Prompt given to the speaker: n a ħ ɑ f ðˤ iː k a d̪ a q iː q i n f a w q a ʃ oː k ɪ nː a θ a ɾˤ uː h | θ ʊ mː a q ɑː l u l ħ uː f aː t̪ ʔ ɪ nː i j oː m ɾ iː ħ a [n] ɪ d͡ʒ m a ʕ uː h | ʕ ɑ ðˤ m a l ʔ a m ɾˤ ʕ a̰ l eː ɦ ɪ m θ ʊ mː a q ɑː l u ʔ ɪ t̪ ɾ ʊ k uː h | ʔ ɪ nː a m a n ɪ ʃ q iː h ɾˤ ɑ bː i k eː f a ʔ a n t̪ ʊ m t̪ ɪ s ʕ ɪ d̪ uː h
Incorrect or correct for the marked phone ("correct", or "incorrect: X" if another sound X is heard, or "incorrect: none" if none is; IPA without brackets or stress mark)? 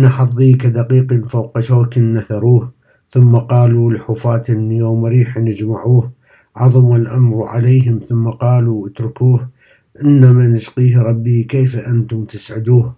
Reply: correct